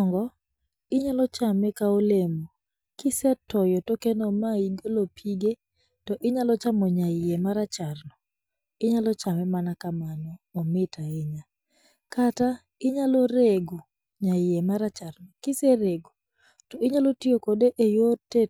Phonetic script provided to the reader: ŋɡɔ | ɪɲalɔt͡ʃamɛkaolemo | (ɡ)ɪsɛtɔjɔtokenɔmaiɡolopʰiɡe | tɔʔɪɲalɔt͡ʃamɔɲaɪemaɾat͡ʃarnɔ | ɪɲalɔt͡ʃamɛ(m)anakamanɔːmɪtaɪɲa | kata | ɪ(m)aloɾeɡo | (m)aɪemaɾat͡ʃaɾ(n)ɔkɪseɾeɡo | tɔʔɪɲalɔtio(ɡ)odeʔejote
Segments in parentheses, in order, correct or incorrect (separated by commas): incorrect, correct, incorrect, incorrect, correct, incorrect